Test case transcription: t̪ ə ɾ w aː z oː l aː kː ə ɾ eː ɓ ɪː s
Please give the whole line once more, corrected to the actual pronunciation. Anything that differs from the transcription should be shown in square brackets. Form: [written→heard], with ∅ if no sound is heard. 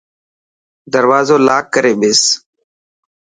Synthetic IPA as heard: [t̪→d̪] ə ɾ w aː z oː l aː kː ə ɾ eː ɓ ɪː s